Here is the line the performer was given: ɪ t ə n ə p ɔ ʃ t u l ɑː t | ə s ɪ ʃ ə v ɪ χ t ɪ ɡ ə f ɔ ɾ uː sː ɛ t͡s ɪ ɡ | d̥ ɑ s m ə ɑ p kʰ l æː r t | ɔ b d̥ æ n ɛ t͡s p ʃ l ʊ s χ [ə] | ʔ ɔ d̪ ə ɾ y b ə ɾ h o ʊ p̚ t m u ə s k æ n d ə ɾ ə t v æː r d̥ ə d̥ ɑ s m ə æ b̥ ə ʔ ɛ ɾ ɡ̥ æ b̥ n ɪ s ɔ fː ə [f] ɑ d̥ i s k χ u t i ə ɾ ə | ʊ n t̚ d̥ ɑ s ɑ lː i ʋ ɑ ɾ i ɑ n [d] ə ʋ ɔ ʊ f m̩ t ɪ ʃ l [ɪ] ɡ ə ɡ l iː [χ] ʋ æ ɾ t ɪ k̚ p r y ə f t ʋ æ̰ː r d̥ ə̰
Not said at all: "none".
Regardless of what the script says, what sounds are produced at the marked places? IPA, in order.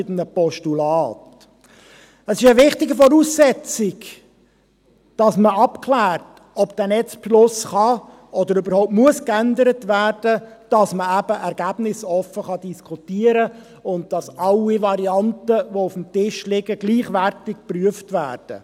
ɑ, χ, t, ɪ, χ

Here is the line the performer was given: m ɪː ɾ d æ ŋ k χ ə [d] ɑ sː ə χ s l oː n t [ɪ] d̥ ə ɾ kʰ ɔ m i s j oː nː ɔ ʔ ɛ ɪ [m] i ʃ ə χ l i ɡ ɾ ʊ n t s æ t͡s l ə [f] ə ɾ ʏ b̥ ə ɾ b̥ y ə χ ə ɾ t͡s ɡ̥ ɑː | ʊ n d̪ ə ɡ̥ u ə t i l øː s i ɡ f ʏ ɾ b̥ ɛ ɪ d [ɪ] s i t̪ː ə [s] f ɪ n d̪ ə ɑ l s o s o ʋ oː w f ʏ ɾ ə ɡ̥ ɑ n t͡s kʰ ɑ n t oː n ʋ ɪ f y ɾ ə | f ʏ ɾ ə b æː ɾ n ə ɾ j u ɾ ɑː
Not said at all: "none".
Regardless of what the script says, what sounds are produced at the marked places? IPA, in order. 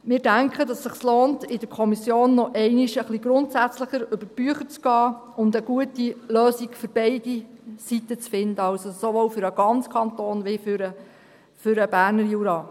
d, ɪ, n, χ, i, t͡s

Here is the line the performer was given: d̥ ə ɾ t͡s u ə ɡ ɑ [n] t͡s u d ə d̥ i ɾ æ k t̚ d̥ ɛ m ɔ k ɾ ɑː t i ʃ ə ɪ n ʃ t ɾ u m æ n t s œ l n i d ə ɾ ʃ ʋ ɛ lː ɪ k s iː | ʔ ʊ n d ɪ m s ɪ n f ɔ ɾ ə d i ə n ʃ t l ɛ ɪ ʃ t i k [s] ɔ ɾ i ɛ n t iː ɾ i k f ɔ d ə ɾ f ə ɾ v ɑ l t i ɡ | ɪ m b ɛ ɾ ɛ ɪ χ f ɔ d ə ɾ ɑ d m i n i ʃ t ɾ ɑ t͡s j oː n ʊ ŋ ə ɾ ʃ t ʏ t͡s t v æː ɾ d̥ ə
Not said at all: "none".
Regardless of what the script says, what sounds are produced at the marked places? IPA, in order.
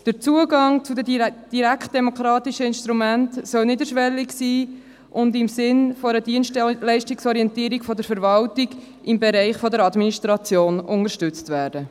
ŋ, s

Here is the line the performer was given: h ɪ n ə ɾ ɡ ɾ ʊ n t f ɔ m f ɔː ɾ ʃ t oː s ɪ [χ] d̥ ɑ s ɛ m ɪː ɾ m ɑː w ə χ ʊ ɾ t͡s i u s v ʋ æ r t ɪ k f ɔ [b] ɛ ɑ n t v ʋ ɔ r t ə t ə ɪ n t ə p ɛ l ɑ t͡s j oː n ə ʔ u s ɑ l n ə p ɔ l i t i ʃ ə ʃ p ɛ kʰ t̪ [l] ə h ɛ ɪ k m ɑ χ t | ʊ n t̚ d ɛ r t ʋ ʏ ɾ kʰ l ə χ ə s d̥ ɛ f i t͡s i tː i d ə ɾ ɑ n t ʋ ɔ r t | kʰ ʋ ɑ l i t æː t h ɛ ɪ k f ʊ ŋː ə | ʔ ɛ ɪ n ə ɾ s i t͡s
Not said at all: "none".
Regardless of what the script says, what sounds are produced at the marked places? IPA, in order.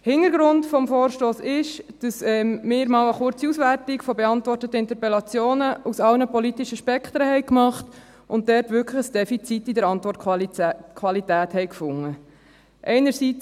ʃ, b, ɾ

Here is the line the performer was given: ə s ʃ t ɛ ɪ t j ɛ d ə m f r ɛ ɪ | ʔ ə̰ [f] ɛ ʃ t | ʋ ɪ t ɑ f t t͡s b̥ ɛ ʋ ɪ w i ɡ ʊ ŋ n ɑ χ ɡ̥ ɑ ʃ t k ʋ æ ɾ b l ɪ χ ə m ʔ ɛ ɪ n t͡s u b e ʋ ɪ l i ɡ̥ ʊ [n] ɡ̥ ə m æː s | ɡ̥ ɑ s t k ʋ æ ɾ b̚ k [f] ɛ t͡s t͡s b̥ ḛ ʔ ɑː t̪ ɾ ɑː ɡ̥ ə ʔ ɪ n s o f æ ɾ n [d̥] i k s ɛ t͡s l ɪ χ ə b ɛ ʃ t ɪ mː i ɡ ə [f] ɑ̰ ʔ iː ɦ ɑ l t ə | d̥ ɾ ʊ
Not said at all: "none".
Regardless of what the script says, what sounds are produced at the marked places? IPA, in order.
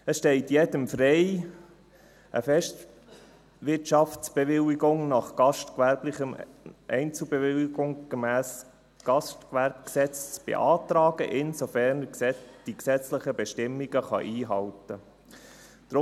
f, ŋ, s, d̥, χ

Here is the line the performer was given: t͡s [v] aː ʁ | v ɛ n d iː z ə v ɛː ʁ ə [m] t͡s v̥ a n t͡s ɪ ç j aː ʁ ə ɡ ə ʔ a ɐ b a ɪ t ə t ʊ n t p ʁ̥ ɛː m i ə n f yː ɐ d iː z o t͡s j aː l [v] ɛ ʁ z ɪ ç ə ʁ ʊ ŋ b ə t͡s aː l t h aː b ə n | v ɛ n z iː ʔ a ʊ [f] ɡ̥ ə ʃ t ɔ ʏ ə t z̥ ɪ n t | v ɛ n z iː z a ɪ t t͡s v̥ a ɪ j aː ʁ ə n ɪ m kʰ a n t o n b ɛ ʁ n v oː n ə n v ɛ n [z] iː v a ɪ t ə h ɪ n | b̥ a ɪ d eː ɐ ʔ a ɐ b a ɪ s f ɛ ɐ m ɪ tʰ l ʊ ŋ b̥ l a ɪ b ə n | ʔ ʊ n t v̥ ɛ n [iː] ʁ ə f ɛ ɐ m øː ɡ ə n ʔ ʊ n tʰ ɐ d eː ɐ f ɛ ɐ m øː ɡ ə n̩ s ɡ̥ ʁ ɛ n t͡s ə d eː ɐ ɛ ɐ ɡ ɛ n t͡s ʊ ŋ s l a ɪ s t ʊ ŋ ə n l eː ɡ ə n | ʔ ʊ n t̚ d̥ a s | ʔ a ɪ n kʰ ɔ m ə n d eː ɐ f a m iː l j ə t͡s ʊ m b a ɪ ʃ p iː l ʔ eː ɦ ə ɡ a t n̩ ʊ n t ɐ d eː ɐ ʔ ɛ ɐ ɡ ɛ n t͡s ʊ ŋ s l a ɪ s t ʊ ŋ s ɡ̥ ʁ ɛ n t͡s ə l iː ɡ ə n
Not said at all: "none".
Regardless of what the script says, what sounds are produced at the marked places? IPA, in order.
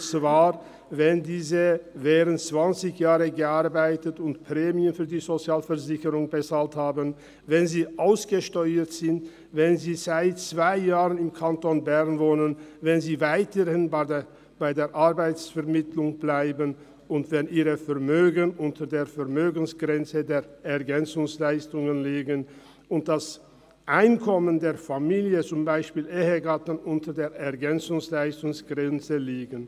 v, n, f, s, z, iː

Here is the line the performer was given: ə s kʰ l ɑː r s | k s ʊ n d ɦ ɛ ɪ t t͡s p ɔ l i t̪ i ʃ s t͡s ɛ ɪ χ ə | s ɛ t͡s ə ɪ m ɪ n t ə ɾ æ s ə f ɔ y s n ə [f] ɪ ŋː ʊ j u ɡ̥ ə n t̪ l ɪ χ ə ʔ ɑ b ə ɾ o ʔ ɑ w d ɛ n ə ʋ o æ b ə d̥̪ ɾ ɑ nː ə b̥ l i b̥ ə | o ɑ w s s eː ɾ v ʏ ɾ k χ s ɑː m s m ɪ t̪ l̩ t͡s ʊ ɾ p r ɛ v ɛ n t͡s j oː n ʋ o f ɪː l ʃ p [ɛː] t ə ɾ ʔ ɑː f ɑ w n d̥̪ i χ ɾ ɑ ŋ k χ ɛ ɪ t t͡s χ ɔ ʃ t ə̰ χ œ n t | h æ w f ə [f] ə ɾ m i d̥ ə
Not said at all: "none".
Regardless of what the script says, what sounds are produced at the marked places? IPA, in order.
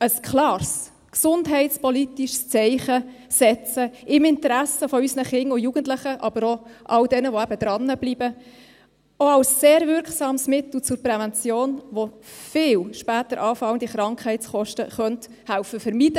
χ, æː, f

